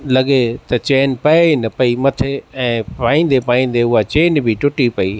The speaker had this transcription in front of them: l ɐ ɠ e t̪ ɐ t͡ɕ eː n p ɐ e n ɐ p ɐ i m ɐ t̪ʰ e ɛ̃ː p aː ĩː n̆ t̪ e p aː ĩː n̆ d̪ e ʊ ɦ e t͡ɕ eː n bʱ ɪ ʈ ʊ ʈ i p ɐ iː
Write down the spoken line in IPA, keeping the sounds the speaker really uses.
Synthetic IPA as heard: l ɐ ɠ e t̪ ɐ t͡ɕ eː n p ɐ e n ɐ p ɐ i m ɐ t̪ʰ e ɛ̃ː p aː ĩː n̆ d̪ e p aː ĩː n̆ d̪ e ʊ ɦ a t͡ɕ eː n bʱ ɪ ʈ ʊ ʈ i p ɐ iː